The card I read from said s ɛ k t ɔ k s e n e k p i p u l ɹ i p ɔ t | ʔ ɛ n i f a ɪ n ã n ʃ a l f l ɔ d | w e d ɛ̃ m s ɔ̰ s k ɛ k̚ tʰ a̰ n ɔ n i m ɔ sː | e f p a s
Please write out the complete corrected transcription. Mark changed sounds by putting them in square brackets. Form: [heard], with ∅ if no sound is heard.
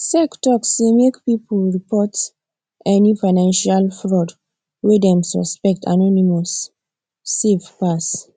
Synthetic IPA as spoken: s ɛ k t ɔ k s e [m] e k p i p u l ɹ i p ɔ t | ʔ ɛ n i f a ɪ n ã n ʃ a l f [ɹ] ɔ d | w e d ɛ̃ m s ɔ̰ s [p] ɛ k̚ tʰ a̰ n ɔ n i m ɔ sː | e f p a s